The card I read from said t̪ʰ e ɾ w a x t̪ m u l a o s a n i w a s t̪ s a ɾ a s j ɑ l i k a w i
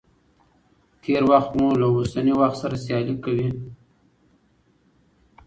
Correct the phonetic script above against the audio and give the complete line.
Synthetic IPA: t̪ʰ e ɾ w a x t̪ m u l a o s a n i w a x t̪ s a ɾ a s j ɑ l i k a w i